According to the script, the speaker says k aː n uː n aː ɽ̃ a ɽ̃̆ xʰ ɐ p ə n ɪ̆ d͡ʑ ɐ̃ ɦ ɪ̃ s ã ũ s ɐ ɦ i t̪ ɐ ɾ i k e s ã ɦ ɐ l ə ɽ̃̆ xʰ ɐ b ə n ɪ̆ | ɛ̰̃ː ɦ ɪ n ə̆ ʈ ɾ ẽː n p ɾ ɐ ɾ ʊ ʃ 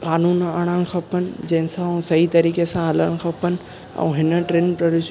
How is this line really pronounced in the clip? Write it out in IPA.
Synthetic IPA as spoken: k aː n uː n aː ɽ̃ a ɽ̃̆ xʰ ɐ p ə n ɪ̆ d͡ʑ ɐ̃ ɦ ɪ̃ s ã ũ s ɐ ɦ i t̪ ɐ ɾ iː k e s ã ɦ ɐ l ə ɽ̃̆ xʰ ɐ p ə n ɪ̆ | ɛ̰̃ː ɦ ɪ n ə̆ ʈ ɾ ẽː n p ɾ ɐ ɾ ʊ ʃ